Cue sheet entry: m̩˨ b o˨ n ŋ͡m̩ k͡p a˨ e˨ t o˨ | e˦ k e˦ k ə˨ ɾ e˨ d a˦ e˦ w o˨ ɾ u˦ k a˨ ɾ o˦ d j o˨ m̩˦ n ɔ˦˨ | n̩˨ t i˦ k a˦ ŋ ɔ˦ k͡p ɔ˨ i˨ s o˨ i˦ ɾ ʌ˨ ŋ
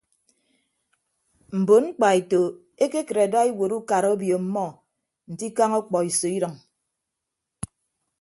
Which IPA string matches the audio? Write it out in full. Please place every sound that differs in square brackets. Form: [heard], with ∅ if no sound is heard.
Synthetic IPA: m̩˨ b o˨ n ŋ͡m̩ k͡p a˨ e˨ t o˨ | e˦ k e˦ k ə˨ ɾ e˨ d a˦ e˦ w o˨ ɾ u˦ k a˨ ɾ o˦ [b] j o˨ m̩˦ [m] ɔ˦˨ | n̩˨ t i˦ k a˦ ŋ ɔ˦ k͡p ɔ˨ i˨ s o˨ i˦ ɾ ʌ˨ ŋ